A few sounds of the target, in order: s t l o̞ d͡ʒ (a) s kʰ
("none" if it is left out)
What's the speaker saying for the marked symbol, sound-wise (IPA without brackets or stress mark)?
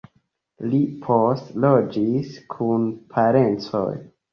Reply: i